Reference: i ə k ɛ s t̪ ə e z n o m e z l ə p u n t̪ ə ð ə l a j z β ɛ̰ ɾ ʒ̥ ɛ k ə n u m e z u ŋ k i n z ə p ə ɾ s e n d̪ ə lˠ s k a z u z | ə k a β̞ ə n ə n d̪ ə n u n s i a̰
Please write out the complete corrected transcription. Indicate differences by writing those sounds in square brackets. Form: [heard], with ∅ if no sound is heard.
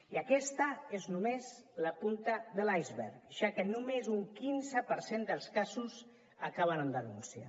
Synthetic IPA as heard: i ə k ɛ s t̪ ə e z n [u] m e z l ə p u n t̪ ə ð ə l a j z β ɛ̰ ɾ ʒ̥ [a] k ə n u m e z u ŋ k i n z ə p ə ɾ s e n d̪ ə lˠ s k a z u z | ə k a β̞ ə n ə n d̪ ə n u n s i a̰